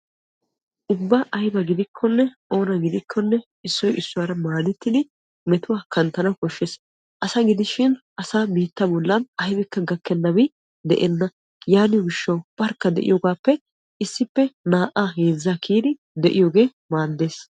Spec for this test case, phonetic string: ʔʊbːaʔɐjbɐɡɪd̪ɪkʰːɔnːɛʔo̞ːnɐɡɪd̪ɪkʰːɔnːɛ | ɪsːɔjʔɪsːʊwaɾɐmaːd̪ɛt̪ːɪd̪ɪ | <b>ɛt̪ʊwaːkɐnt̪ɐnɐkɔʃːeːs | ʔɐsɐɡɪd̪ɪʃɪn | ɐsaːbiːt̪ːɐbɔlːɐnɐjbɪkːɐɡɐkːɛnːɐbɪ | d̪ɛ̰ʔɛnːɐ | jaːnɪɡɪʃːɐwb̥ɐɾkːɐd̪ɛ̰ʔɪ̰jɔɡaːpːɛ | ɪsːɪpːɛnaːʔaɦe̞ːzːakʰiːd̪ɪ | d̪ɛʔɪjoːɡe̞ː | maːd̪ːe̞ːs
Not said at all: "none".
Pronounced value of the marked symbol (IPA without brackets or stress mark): m